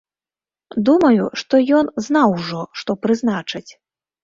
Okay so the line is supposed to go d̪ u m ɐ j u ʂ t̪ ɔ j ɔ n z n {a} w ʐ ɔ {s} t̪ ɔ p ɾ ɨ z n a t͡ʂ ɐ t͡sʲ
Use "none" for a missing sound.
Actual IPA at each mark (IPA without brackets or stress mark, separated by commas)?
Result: a, ʂ